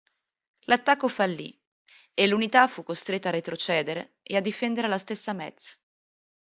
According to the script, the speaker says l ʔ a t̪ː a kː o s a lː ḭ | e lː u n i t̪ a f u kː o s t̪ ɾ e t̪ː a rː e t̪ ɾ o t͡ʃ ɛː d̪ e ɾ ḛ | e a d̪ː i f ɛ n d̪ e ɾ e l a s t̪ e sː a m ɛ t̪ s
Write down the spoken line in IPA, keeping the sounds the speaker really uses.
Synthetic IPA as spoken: l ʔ a t̪ː a kː o f a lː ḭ | e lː u n i t̪ a f u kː o s t̪ ɾ e t̪ː a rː e t̪ ɾ o t͡ʃ ɛː d̪ e ɾ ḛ | e a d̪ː i f ɛ n d̪ e ɾ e l a s t̪ e sː a m ɛ t̪ s